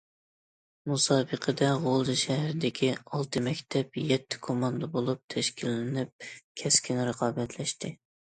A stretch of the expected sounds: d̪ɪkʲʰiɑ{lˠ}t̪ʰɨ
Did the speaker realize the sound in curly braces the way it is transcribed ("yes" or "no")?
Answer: yes